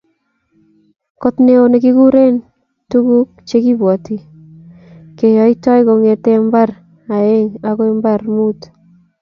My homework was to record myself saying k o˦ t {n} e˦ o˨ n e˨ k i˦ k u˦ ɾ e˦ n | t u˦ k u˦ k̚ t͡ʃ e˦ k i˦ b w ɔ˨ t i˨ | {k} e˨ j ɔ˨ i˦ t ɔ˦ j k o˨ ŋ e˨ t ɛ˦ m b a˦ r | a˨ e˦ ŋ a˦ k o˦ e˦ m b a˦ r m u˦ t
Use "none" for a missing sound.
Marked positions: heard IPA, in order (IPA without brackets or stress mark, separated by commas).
n, k